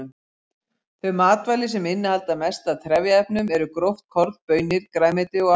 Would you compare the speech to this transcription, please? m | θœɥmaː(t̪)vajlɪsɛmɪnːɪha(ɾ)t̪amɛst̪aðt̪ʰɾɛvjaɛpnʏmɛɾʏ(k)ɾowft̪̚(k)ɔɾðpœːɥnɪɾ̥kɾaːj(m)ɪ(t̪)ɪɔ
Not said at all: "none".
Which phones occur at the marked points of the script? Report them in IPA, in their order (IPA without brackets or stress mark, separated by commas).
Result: t̪, l, k, kʰ, m, t̪